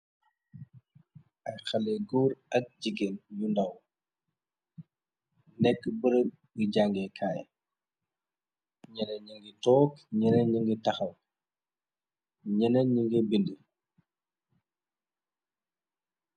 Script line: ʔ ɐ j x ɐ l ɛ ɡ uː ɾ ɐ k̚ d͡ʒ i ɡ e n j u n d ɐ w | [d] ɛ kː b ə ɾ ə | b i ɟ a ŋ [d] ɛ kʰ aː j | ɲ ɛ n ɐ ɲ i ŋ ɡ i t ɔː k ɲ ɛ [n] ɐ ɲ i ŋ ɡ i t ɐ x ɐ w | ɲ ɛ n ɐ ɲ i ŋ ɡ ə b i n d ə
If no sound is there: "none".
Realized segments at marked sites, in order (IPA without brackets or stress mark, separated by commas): n, ɡ, n